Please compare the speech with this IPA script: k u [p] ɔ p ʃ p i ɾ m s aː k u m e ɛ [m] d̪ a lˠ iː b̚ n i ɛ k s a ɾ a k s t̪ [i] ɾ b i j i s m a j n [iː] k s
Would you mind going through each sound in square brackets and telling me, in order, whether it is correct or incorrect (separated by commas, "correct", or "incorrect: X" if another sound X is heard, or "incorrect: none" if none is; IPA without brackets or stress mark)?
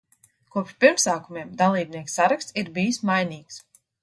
incorrect: none, correct, correct, correct